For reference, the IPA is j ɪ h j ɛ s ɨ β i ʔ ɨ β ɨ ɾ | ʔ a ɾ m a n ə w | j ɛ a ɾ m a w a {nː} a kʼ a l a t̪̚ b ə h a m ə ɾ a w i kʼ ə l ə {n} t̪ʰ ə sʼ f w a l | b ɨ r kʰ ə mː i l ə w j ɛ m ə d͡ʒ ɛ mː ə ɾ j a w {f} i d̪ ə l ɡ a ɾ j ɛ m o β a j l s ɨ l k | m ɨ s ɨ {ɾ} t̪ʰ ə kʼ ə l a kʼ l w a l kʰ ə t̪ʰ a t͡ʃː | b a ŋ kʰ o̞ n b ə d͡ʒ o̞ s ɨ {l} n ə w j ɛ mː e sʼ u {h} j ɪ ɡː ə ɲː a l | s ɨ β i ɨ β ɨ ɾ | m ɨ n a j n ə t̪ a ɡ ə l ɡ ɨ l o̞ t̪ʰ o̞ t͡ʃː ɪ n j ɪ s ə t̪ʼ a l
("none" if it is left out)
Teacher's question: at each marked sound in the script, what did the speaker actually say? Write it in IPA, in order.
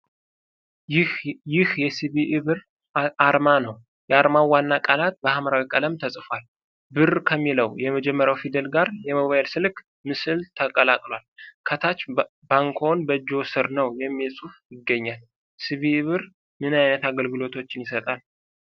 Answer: nː, m, f, l, ɾ, f

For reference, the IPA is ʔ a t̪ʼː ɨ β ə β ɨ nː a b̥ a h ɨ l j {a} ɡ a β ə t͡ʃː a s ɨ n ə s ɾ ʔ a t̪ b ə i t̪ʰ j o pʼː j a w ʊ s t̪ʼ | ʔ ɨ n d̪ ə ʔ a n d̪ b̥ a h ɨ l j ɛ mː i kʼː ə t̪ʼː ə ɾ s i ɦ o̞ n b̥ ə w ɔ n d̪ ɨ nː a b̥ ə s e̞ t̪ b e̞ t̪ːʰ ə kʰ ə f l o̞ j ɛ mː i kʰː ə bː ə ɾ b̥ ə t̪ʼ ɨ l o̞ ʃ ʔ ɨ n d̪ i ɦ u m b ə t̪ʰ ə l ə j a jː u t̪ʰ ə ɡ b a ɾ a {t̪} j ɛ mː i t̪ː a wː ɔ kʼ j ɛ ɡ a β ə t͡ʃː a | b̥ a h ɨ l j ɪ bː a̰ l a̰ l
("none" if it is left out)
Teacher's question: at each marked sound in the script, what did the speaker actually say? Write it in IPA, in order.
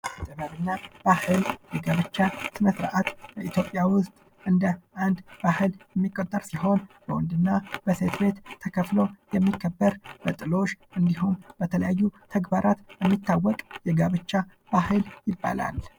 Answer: ɛ, t̪

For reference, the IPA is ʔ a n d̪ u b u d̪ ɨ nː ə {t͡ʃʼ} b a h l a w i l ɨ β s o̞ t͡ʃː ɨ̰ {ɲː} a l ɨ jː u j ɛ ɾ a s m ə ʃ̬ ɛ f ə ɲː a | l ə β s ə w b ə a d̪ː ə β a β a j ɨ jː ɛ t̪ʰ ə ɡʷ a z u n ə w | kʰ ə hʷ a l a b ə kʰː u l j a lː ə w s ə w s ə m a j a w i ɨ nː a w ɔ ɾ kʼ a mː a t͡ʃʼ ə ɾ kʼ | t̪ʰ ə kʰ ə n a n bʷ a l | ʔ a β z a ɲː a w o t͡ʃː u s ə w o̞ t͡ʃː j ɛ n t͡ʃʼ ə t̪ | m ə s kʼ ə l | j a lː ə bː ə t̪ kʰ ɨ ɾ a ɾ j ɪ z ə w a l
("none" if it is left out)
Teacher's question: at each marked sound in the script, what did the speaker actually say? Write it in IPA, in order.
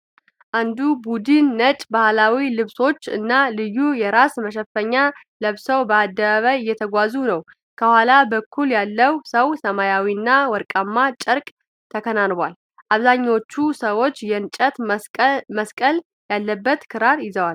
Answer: t͡ʃʼ, nː

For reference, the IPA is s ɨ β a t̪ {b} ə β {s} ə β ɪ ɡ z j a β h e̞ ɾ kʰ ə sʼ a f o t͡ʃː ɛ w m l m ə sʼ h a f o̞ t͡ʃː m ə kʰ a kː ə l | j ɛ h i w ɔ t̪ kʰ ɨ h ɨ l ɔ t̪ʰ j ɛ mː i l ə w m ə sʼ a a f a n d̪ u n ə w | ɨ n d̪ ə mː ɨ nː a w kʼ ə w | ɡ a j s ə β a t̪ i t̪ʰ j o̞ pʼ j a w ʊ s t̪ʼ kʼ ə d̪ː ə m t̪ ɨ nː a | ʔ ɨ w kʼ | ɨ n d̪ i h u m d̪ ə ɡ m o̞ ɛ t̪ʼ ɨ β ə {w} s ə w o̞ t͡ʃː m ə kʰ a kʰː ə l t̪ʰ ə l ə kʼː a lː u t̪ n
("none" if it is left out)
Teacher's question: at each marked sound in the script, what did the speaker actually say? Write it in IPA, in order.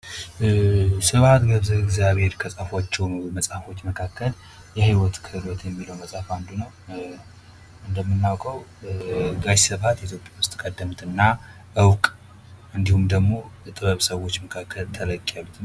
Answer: ɡ, z, β

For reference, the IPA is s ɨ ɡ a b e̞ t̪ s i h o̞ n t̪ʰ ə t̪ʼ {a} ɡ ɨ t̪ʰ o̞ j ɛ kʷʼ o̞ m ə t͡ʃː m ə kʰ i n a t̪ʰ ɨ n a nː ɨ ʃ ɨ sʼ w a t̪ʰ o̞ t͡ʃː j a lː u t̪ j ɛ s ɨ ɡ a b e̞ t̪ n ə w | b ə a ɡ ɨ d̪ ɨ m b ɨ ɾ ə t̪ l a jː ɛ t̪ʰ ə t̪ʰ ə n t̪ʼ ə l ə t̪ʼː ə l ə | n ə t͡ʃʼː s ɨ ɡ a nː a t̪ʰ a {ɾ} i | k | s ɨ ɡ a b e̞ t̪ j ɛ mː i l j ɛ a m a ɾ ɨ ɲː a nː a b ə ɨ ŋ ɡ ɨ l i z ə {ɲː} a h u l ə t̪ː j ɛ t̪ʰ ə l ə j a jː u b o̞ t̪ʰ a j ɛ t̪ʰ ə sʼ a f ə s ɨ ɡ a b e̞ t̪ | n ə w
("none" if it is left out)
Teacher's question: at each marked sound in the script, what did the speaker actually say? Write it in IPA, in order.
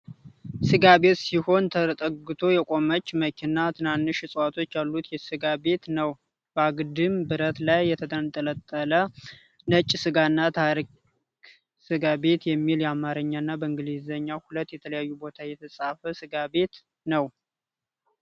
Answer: ə, ɾ, ɲː

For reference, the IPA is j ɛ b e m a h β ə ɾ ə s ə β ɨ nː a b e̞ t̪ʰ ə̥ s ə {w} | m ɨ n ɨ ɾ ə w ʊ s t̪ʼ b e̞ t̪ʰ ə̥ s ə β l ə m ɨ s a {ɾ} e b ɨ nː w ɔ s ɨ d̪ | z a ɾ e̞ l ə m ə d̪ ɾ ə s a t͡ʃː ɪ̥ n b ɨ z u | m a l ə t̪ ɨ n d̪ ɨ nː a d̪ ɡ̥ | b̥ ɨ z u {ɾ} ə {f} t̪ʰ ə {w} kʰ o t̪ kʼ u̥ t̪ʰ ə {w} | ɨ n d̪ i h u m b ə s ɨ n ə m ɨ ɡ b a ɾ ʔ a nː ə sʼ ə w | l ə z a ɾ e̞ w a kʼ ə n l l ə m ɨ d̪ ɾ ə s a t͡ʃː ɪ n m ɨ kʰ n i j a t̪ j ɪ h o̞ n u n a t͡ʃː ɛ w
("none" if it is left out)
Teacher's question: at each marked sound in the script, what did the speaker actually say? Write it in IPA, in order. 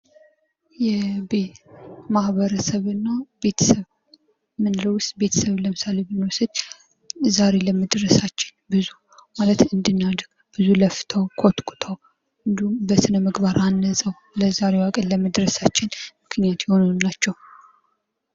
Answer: β, l, l, f, w, w

